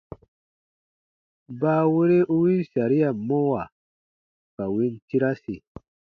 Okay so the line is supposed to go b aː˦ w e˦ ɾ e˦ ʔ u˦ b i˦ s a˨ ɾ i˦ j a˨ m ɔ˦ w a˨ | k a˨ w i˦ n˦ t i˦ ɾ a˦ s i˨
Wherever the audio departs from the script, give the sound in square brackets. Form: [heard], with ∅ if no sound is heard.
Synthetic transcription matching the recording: b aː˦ w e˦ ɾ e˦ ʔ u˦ [w] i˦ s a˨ ɾ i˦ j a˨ m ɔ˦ w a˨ | k a˨ w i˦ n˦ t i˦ ɾ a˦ s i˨

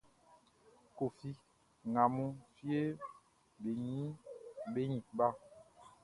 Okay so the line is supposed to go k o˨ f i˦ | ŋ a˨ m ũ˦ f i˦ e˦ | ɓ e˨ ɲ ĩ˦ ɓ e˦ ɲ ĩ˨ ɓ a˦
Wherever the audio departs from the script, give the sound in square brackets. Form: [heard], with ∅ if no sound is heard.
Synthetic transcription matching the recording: k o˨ f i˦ | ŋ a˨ m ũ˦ f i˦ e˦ | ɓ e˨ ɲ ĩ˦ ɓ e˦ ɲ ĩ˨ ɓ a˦

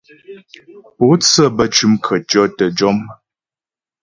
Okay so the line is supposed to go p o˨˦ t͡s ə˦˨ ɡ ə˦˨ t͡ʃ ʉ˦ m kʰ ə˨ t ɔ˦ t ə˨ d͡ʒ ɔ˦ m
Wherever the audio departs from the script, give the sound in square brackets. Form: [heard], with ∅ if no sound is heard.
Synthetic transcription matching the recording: p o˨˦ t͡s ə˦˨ [b] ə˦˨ t͡ʃ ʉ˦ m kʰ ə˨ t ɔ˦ t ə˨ d͡ʒ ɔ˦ m

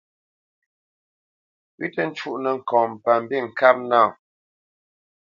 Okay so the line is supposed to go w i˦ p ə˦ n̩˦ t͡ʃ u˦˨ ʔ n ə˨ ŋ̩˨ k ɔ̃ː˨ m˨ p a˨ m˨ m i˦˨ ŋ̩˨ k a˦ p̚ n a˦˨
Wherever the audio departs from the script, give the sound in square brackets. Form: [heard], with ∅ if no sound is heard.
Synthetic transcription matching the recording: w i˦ [t] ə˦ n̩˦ t͡ʃ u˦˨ ʔ n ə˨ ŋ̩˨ k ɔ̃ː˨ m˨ p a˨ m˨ [b] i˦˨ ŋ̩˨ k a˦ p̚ n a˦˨

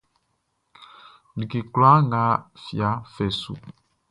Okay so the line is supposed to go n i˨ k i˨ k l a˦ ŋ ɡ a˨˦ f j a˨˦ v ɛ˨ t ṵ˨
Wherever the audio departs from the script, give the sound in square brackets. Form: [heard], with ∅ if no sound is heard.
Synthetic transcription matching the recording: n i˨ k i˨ k l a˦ ŋ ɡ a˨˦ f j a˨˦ [f] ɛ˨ [s] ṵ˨

